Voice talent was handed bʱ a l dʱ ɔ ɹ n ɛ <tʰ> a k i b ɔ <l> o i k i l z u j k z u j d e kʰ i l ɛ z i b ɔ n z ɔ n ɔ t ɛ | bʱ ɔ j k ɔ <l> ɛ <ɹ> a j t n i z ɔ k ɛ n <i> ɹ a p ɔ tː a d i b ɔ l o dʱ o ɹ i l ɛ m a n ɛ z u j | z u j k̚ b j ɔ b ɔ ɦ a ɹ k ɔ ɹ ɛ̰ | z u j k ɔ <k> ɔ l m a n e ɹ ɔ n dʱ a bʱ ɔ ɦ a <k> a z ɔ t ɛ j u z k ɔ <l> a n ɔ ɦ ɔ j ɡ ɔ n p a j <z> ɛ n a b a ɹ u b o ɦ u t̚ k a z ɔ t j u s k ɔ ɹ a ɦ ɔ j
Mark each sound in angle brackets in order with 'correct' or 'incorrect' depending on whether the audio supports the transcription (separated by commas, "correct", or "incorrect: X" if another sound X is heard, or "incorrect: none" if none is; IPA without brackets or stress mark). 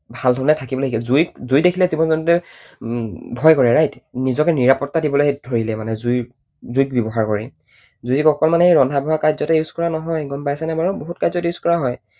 correct, correct, incorrect: ɹ, correct, correct, correct, correct, incorrect: ɹ, incorrect: s